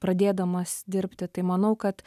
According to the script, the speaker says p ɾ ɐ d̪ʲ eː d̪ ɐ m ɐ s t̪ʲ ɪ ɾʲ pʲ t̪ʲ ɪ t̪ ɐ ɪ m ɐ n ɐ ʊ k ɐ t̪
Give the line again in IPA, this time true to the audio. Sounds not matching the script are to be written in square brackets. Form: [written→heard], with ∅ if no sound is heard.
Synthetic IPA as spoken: p ɾ ɐ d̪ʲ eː d̪ ɐ m ɐ s [t̪ʲ→d̪ʲ] ɪ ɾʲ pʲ t̪ʲ ɪ t̪ ɐ ɪ m ɐ n ɐ ʊ k ɐ t̪